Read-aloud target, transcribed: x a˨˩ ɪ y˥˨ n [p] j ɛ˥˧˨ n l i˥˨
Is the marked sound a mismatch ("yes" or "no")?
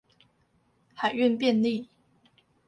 no